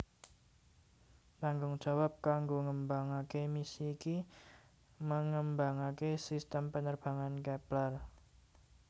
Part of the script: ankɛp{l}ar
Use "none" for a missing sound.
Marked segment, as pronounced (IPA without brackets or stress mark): l